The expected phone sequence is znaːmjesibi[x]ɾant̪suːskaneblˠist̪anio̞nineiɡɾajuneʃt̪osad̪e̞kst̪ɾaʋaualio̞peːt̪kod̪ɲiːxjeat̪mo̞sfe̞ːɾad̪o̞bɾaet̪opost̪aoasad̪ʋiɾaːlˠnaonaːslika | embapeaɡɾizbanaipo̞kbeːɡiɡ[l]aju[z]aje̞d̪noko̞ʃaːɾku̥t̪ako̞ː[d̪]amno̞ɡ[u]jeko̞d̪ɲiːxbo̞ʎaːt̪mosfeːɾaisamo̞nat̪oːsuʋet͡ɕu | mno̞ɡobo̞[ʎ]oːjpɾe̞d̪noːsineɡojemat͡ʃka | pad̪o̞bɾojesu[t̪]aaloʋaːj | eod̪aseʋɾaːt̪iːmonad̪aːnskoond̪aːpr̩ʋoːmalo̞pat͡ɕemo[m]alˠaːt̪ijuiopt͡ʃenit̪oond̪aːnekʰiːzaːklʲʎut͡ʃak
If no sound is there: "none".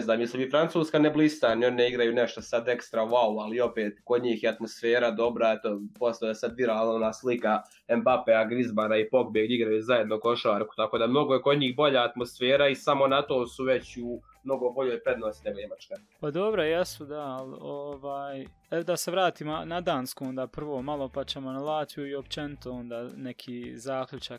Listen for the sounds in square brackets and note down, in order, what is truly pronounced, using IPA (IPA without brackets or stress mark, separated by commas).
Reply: f, ɾ, z, d̪, o, ʎ, d̪, n